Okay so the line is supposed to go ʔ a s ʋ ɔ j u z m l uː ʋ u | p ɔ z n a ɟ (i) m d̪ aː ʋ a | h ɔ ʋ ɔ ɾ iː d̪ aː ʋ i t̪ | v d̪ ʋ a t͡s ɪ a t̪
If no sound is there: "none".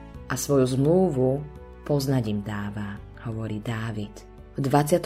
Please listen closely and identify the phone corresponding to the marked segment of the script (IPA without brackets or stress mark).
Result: i